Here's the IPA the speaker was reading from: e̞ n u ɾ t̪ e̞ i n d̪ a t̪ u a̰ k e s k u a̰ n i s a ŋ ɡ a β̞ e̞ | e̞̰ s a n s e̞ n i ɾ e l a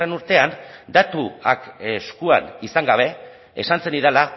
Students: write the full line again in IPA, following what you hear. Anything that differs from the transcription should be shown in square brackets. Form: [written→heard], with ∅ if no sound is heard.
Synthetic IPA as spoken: e̞ n u ɾ t̪ e̞ [i→a] n d̪ a t̪ u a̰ k e s k u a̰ n i s a ŋ ɡ a β̞ e̞ | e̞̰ s a n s e̞ n i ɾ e l a